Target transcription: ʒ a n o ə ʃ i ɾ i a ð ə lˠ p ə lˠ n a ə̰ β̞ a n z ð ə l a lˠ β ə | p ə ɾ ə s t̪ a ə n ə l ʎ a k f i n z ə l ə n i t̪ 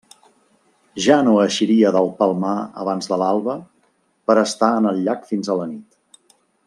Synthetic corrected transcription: ʒ a n o ə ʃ i ɾ i ə ð ə lˠ p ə lˠ m a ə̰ β̞ a n z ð ə l a lˠ β ə | p ə ɾ ə s t̪ a ə n ə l ʎ a k f i n z ə l ə n i t̪